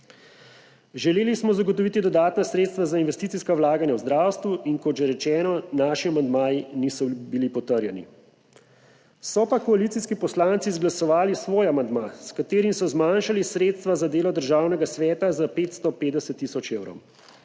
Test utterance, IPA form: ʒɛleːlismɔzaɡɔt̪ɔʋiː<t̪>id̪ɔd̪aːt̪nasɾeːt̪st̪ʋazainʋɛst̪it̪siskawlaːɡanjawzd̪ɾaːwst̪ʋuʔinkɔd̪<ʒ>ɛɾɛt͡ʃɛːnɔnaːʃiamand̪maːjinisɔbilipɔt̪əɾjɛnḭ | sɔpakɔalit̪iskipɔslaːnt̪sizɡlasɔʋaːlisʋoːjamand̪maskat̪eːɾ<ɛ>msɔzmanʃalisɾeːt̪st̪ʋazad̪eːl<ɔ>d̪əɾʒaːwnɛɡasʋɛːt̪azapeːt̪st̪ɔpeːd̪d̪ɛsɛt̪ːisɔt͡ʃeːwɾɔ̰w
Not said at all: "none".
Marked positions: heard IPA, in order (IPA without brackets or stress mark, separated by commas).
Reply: t̪, ʒ, i, ɔ